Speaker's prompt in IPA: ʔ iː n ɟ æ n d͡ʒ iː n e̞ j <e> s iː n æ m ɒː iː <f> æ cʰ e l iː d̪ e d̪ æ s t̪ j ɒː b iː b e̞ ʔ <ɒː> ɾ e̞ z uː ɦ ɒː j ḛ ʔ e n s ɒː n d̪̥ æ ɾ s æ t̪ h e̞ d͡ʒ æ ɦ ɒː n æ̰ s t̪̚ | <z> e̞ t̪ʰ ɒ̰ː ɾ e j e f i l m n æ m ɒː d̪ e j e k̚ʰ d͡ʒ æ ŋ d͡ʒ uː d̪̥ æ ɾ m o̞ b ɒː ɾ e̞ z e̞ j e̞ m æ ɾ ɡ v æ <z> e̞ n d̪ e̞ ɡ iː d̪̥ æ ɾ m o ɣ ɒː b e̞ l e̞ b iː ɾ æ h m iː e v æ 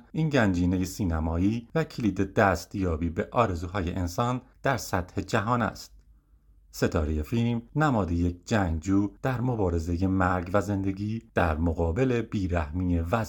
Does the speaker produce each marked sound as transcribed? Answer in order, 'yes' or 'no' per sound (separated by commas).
yes, no, yes, no, yes